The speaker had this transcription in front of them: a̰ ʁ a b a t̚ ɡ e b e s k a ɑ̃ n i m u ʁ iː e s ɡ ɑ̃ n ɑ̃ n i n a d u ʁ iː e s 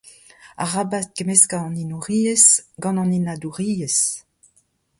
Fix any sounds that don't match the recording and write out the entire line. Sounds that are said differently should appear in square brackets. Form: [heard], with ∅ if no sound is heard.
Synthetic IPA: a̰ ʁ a b a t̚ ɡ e [m] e s k a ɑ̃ n i [n] u ʁ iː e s ɡ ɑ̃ n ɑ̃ n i n a d u ʁ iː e s